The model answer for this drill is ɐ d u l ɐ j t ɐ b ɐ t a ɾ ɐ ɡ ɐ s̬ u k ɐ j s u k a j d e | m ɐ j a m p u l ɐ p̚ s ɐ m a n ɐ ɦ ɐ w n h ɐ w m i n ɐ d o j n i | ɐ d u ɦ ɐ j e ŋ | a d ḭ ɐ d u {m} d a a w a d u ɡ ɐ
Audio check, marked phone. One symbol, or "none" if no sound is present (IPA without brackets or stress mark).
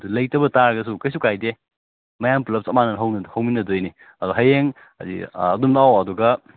m